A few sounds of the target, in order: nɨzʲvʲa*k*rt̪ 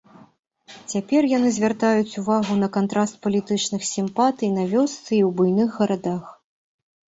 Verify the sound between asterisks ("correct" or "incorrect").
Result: incorrect